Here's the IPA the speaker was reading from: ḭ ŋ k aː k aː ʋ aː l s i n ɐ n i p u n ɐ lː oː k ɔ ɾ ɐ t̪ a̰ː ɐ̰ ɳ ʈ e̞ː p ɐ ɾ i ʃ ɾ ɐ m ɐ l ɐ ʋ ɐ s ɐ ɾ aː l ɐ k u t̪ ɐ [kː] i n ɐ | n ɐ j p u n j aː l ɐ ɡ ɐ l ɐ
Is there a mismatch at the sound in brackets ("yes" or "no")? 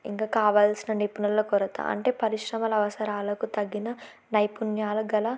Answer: yes